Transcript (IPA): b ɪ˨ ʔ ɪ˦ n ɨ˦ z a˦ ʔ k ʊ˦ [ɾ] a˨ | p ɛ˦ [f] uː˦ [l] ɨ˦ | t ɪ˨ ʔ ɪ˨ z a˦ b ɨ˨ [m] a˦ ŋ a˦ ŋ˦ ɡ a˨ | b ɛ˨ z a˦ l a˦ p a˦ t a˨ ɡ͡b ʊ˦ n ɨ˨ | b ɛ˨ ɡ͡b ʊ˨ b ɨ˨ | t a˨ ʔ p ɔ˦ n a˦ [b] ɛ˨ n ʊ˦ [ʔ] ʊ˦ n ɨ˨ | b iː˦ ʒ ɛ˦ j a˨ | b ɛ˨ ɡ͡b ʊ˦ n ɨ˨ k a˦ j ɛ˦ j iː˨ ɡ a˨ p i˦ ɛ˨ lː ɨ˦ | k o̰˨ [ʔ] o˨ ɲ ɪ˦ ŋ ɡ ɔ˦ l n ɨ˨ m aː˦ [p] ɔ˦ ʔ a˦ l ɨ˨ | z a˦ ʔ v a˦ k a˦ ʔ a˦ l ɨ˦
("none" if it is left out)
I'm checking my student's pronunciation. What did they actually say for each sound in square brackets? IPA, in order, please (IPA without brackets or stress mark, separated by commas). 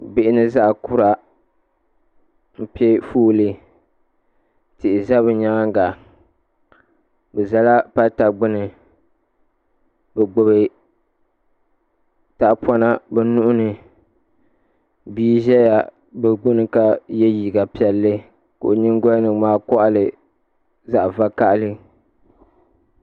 ɾ, f, l, ɲ, b, ʔ, ʔ, k